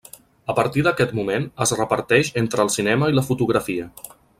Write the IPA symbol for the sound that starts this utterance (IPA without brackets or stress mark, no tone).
ə